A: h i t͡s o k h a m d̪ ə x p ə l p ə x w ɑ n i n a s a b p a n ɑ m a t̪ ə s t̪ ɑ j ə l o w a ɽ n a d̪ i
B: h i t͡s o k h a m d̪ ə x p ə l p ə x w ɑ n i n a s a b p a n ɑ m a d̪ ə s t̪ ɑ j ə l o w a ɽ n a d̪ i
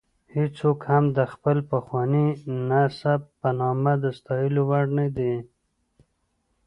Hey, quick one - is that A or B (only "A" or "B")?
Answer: B